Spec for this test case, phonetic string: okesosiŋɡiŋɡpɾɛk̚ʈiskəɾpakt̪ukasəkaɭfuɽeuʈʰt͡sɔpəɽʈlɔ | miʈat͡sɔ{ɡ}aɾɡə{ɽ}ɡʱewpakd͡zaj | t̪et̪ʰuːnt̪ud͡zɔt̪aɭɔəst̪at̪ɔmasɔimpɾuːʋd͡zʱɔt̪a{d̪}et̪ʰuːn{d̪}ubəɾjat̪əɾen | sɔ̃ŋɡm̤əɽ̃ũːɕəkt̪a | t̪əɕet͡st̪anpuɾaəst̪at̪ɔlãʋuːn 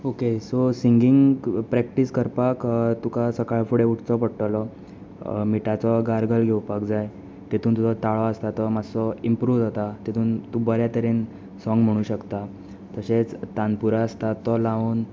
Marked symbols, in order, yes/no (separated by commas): yes, no, no, no